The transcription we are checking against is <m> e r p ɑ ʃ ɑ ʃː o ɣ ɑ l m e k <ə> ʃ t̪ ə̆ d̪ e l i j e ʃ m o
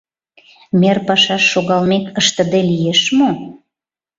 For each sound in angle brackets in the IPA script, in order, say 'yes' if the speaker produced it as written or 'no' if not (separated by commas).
yes, yes